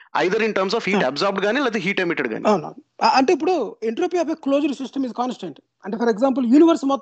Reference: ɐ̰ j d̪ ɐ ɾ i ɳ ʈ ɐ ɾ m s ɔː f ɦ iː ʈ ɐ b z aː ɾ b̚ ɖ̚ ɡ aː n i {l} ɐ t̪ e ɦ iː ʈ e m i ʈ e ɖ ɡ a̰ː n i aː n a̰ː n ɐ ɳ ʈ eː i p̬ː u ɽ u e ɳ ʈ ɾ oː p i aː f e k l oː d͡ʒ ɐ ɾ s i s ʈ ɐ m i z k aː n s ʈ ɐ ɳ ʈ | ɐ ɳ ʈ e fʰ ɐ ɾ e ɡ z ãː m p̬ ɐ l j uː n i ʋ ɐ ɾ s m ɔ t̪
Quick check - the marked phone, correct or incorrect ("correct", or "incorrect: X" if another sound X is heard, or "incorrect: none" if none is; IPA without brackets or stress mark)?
correct